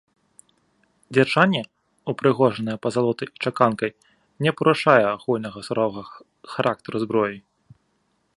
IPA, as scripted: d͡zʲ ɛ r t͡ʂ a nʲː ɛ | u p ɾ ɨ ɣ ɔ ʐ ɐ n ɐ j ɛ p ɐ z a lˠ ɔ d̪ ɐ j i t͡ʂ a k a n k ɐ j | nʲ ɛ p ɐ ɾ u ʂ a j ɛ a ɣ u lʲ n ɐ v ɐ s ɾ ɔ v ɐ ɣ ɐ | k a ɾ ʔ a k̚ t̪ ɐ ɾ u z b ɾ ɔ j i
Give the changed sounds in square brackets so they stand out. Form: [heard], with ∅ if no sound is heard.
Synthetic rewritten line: d͡zʲ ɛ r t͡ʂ a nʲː ɛ | u p ɾ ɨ ɣ ɔ ʐ ɐ n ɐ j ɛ p ɐ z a lˠ ɔ [t̪] ɐ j i t͡ʂ a k a n k ɐ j | nʲ ɛ p ɐ ɾ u ʂ a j ɛ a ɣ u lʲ n ɐ [ɣ] ɐ s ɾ ɔ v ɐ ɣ ɐ | [x] a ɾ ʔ a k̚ t̪ ɐ ɾ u z b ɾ ɔ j i